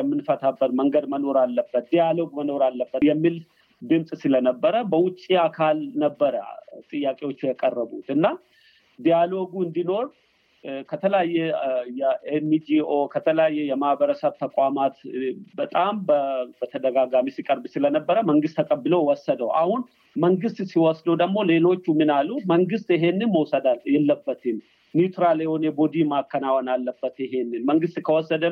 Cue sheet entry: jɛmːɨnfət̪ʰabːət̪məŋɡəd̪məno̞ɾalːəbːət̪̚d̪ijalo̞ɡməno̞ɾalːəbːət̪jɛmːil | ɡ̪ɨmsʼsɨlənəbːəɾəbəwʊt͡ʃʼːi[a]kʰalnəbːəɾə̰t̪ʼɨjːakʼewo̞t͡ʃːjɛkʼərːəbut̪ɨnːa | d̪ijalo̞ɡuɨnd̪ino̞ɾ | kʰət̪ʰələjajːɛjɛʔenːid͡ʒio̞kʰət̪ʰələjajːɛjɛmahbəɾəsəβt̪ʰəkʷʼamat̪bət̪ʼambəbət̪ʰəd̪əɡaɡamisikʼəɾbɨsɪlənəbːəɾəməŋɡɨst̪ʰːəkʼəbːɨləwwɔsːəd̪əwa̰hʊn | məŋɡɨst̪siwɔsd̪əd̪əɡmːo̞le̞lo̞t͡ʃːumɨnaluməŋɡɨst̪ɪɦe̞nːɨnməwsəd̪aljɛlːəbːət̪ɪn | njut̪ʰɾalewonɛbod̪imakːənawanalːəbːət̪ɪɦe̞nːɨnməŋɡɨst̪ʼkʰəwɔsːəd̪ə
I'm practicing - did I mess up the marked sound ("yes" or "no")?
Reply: no